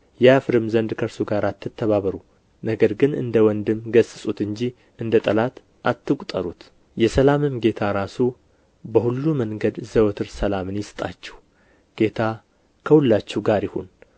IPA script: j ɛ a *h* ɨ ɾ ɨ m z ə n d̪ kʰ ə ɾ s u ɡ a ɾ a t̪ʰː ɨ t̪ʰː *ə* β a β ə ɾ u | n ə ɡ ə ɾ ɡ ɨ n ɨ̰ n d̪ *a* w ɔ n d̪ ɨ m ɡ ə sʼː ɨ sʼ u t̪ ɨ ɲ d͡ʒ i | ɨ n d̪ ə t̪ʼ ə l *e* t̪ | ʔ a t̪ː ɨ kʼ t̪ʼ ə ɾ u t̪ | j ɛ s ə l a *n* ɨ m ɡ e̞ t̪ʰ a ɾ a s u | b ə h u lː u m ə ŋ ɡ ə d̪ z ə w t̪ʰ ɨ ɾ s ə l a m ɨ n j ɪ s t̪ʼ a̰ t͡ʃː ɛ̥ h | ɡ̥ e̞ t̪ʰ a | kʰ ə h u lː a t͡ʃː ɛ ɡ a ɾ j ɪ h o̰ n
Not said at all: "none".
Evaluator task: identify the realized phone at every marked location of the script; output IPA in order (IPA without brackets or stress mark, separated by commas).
f, ə, ə, a, m